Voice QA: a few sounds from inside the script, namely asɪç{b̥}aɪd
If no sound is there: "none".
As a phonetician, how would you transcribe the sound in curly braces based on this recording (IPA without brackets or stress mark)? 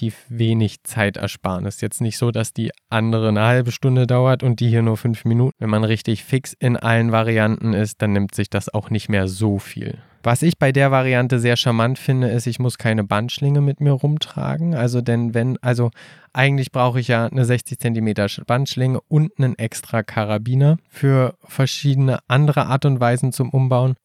b̥